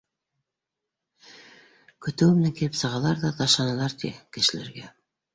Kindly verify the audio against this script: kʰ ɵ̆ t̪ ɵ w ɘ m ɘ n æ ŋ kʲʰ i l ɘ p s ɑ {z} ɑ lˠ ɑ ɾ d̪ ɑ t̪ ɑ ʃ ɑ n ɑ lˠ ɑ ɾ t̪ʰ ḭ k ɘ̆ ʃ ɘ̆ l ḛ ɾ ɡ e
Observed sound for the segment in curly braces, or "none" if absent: ʁ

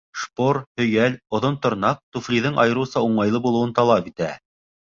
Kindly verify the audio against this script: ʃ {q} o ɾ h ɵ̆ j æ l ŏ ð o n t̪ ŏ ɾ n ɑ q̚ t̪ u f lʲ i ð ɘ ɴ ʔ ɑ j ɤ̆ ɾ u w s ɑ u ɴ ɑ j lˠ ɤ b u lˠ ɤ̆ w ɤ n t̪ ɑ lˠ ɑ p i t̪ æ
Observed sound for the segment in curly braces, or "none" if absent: p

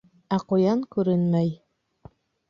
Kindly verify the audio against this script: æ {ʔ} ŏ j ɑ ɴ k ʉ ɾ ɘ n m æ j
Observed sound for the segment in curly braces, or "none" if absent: q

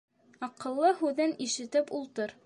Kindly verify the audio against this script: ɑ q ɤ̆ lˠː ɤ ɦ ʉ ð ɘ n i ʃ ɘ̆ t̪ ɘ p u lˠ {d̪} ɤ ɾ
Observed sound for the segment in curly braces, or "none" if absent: t̪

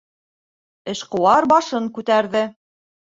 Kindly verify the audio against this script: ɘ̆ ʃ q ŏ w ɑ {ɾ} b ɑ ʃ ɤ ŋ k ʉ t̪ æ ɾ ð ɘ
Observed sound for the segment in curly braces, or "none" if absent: ɾ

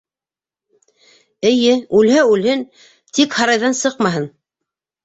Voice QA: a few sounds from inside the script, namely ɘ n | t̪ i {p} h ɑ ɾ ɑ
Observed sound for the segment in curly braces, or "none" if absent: k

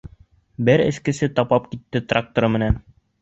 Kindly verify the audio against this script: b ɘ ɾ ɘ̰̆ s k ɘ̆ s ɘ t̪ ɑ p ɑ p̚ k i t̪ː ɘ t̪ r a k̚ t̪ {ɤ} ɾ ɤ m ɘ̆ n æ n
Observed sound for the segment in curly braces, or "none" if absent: o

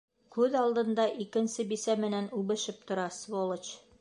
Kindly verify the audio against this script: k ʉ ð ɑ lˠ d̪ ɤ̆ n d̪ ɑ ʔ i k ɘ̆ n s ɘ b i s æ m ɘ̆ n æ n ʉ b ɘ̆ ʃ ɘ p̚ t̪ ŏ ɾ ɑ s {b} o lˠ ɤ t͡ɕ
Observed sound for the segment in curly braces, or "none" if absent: v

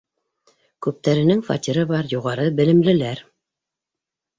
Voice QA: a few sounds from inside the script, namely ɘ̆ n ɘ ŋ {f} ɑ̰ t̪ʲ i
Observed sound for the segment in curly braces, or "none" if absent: f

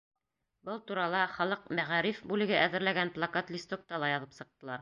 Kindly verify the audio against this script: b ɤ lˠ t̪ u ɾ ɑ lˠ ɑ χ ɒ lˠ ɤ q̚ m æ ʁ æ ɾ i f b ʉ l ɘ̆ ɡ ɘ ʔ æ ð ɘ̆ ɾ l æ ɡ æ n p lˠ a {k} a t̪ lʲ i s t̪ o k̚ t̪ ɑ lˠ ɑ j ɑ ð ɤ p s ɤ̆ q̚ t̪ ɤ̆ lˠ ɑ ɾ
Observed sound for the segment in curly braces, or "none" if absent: k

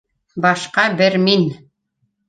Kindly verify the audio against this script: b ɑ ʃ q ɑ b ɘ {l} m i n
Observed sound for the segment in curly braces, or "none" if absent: ɾ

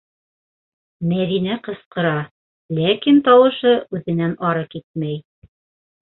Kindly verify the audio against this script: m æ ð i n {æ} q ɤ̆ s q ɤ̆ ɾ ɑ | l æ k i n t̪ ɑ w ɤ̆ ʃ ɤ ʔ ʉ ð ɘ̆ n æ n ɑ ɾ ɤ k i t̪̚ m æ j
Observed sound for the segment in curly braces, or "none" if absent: æ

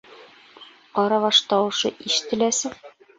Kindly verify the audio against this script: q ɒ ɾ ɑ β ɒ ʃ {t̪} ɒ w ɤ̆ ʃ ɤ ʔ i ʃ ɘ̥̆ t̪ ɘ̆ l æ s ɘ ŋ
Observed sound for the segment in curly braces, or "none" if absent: t̪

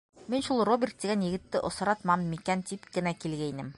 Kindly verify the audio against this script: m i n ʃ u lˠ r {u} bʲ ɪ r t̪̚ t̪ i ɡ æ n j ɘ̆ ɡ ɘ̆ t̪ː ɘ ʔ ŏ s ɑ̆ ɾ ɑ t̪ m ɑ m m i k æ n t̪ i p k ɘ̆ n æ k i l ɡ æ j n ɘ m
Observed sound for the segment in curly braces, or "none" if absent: o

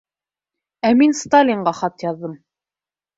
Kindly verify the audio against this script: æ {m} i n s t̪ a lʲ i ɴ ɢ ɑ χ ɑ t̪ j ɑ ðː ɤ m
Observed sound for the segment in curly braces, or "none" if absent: m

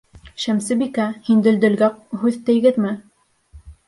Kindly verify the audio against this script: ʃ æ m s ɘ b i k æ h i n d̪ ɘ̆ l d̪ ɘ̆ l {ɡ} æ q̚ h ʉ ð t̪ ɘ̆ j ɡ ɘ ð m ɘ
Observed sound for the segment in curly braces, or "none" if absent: ɡ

